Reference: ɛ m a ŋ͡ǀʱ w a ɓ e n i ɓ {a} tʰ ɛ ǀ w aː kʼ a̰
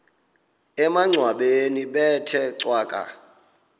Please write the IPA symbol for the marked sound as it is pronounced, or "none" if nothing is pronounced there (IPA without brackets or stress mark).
ɛ